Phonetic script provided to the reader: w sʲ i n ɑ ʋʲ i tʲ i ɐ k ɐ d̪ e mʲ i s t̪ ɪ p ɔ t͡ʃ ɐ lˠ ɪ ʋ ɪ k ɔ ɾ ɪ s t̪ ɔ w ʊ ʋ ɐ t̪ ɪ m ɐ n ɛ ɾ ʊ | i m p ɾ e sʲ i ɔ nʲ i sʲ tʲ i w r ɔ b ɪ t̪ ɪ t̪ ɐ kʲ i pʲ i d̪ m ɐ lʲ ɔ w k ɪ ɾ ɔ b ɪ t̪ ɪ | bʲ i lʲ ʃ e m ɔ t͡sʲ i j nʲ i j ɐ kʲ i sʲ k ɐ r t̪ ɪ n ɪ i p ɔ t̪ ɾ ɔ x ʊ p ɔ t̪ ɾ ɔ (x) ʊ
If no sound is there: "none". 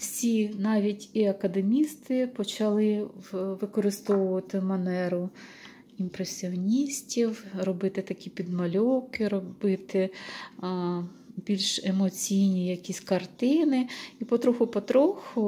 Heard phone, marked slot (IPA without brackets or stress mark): x